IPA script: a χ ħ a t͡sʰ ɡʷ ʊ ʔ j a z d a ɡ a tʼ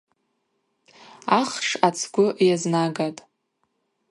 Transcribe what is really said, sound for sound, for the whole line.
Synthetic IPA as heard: a χ ʂ a t͡sʰ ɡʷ ʊ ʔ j a z n a ɡ a tʼ